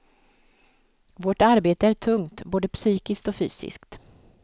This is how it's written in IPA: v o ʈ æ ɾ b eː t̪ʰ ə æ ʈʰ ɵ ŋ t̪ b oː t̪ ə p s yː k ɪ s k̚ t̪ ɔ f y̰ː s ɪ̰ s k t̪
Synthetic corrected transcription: v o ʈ a ɾ b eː t̪ ə æ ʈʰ ɵ ŋ t̪ b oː d̪ ə p s yː k ɪ s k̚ t̪ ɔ f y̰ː s ɪ̰ s k t̪